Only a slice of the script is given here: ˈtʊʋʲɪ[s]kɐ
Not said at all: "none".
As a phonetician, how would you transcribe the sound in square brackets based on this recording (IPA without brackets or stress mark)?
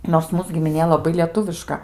ʃ